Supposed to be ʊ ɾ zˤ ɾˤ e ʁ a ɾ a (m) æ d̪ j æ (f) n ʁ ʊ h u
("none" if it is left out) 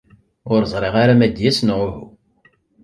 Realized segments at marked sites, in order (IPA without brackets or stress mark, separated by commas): m, s